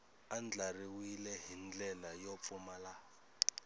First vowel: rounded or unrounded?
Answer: unrounded